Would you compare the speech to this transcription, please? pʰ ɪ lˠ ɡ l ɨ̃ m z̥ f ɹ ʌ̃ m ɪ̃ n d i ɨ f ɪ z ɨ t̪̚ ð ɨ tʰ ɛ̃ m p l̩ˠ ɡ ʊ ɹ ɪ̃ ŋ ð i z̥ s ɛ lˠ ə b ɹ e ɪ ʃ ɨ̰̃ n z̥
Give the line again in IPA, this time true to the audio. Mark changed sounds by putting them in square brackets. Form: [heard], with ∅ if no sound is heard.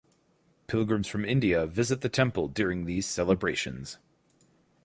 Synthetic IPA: pʰ ɪ lˠ ɡ [ɹ] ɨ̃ m z̥ f ɹ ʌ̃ m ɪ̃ n d i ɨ [v] ɪ z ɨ t̪̚ ð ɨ tʰ ɛ̃ m p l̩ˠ [d] ʊ ɹ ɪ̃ ŋ ð i z̥ s ɛ lˠ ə b ɹ e ɪ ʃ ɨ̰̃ n z̥

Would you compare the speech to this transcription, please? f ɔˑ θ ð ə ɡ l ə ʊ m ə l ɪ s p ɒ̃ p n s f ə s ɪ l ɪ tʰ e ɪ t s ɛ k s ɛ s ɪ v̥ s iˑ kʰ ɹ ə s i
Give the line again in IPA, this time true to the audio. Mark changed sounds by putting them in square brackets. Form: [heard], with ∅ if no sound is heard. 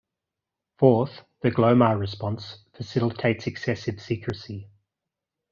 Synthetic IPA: f ɔˑ θ ð ə ɡ l ə ʊ m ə [ɹ] ɪ s p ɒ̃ [∅] n s f ə s ɪ l ɪ tʰ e ɪ t s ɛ k s ɛ s ɪ v̥ s iˑ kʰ ɹ ə s i

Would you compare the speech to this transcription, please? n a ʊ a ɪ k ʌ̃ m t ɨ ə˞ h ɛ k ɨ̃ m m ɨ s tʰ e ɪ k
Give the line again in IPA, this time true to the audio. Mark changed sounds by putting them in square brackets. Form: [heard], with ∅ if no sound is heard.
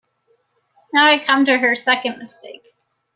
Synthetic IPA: n a ʊ a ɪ [kʰ] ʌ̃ m t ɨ ə˞ [s] ɛ k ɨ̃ [n] m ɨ s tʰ e ɪ k

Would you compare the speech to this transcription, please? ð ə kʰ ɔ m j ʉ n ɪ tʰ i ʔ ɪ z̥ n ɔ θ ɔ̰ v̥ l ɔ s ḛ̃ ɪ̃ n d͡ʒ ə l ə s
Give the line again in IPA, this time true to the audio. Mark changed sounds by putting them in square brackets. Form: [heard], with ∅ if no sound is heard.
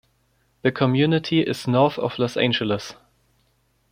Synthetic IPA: ð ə kʰ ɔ m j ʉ n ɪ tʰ i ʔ ɪ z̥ n ɔ θ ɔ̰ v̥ l ɔ s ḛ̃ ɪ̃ n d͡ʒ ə l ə s

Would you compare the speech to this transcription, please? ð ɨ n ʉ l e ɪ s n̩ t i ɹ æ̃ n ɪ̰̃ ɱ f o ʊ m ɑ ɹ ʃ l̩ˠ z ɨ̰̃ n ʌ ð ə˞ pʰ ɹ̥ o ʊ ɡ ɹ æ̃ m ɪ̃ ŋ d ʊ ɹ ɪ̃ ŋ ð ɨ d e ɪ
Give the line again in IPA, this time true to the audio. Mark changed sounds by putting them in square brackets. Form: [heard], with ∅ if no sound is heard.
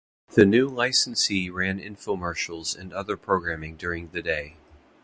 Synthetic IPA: ð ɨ n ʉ l [a] ɪ s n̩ [s] i ɹ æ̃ n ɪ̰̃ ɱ f o ʊ m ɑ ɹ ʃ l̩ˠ z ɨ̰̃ n ʌ ð ə˞ pʰ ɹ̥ o ʊ ɡ ɹ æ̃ m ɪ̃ ŋ d ʊ ɹ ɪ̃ ŋ ð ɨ d e ɪ

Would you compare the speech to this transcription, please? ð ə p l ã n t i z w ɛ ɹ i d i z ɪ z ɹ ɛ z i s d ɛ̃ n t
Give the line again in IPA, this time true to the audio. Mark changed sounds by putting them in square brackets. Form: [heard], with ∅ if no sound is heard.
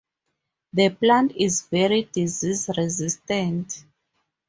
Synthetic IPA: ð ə p l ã n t i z [v] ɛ ɹ i d i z [i] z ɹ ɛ z i s [t] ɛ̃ n t

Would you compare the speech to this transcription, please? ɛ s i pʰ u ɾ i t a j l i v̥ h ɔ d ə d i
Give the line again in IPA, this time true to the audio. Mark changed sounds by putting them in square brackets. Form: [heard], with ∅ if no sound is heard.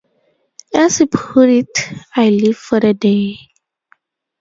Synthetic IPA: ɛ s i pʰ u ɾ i t a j l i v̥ [f] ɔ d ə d [e]

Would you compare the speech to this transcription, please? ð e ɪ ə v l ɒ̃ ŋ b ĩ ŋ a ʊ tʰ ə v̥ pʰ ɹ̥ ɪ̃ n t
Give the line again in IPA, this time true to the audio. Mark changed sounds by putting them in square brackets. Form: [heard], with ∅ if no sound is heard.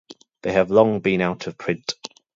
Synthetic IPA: ð e ɪ ə v l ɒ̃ ŋ b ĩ [n] a ʊ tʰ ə v̥ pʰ ɹ̥ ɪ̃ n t

